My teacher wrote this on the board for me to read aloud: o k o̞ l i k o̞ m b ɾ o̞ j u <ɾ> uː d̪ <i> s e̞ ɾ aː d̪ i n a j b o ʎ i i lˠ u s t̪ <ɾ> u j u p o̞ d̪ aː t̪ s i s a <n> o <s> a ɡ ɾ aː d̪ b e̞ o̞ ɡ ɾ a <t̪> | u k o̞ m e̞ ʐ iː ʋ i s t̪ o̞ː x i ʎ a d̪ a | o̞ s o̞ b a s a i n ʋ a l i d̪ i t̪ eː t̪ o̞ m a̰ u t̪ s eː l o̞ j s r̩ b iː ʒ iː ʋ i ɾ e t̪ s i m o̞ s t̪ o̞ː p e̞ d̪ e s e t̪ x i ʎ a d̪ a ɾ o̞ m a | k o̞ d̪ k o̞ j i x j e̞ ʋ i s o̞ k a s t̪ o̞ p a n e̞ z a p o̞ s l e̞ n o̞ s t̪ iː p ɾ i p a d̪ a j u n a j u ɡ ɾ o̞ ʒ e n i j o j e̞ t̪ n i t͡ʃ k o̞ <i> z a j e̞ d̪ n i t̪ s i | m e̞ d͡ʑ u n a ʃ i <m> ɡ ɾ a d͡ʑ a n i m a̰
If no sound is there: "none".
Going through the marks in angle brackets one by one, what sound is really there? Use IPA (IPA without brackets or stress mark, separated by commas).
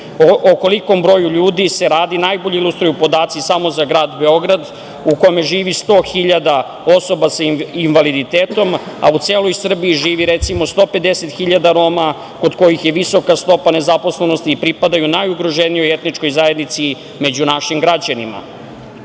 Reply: ʎ, i, ɾ, m, z, d̪, j, m